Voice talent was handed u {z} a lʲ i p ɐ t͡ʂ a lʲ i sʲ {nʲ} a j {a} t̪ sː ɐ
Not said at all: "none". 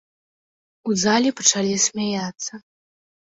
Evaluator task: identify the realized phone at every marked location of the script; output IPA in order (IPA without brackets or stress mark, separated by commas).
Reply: z, mʲ, a